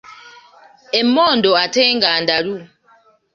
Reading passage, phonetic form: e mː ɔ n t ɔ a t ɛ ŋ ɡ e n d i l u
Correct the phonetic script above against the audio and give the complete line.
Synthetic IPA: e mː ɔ n d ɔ a t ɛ ŋ ɡ a n d a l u